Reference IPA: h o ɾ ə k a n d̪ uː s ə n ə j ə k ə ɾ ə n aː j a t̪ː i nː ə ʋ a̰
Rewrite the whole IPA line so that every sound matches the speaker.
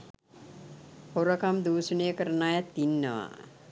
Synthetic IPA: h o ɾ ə k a m d̪ uː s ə n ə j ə k ə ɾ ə n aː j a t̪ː i nː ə ʋ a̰